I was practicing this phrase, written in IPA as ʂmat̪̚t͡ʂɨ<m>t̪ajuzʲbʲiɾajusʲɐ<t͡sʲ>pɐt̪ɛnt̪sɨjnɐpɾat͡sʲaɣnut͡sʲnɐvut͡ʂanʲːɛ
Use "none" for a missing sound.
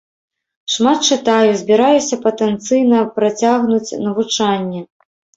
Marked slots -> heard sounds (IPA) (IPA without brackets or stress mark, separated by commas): none, none